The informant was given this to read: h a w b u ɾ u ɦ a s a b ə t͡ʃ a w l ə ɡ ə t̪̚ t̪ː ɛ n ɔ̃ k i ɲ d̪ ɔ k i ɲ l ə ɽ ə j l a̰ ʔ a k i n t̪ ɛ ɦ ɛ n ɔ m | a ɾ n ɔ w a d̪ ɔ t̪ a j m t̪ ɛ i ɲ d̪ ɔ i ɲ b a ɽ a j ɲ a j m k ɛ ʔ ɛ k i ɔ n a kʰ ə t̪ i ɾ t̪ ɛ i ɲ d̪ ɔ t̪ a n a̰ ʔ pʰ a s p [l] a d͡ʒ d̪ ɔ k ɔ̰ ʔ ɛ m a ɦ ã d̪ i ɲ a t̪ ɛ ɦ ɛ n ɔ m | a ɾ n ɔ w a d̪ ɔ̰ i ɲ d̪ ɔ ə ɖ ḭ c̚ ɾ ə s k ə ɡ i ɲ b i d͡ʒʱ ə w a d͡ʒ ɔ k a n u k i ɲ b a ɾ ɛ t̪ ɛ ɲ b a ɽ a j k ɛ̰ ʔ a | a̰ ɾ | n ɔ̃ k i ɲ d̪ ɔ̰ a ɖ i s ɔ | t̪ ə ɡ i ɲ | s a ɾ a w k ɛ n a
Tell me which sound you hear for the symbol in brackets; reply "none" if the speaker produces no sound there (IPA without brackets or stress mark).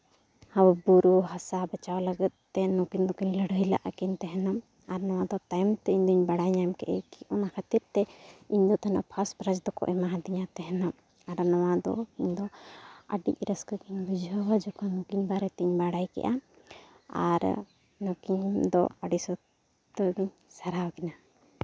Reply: ɾ